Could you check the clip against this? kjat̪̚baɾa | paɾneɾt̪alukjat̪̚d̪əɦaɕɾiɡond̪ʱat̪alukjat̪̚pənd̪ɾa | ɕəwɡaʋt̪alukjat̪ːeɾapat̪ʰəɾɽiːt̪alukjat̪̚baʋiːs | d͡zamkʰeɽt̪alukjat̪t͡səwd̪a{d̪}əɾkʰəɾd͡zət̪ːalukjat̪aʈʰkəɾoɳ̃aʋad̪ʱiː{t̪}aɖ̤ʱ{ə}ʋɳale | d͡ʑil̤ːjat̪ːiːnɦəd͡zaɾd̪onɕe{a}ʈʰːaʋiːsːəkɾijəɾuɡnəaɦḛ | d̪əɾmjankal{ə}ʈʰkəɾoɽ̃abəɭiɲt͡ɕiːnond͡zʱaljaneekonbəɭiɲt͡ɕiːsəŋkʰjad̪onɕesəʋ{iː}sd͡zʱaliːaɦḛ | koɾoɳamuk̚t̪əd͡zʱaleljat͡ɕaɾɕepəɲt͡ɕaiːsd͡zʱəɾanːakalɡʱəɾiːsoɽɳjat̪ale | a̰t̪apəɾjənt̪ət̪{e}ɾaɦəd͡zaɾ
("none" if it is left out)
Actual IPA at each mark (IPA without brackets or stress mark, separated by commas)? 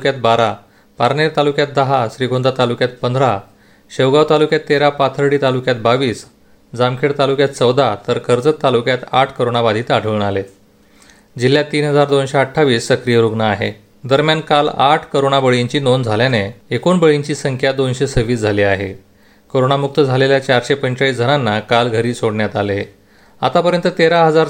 t̪, t̪, ə, ə, a, iː, e